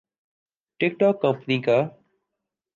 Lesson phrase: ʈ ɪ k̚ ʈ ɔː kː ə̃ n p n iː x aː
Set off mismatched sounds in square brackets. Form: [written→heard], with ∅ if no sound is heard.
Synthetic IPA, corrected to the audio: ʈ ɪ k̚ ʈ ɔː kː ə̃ [n→m] p n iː [x→k] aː